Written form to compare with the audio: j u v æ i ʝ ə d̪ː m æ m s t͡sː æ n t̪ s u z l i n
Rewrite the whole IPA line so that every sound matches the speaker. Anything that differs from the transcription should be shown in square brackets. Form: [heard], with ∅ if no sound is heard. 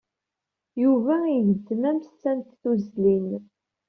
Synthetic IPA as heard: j u v æ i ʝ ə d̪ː m æ m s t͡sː æ n t̪ [θ] u z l i n